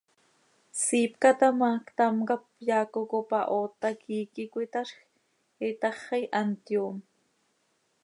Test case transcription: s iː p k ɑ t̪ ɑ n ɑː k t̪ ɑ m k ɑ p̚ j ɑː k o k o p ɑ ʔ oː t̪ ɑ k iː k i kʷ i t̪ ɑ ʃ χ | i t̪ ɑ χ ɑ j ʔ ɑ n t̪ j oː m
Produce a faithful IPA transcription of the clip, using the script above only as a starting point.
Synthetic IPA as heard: s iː p k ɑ t̪ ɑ m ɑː k t̪ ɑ m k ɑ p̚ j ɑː k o k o p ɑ ʔ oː t̪ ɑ k iː k i kʷ i t̪ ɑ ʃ x | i t̪ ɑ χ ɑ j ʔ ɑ n t̪ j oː m